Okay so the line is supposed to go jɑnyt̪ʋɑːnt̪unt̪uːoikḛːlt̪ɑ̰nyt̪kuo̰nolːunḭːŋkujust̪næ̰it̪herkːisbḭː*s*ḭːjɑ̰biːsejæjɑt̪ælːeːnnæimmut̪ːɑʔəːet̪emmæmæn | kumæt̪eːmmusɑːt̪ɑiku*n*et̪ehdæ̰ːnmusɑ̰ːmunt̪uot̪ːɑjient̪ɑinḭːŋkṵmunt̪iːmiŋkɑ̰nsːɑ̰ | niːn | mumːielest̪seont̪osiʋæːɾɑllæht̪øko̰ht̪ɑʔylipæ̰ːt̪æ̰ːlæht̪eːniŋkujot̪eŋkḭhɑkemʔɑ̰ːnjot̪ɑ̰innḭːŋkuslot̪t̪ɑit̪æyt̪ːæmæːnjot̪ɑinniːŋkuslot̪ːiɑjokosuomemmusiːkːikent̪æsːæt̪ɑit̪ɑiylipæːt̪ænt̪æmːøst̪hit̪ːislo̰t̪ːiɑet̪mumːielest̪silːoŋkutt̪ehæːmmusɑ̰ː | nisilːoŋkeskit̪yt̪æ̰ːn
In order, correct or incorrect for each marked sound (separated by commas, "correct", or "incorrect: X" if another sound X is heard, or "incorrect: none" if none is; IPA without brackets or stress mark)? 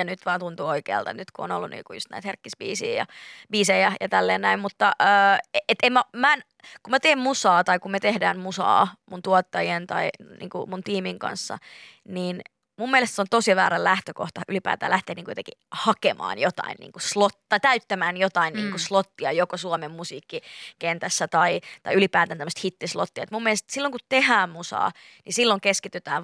correct, incorrect: m